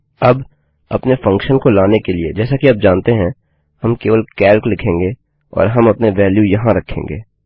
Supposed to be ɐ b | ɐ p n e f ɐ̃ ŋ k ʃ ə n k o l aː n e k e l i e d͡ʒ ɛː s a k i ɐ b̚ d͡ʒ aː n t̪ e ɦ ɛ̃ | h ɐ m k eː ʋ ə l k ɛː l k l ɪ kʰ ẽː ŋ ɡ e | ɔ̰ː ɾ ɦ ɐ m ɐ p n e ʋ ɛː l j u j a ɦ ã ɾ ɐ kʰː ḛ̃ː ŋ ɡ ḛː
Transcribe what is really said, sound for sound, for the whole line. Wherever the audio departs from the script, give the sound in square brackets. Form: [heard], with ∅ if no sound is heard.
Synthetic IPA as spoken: ɐ b | ɐ p n e f ɐ̃ ŋ k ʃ ə n k o l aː n e k e l i e d͡ʒ ɛː s a k i ɐ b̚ d͡ʒ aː n t̪ e ɦ ɛ̃ | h ɐ m k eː ʋ ə l k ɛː l k l ɪ kʰ ẽː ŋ ɡ e | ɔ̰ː ɾ ɦ ɐ m ɐ p n e ʋ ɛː l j u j [ɐ] ɦ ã ɾ ɐ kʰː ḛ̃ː ŋ ɡ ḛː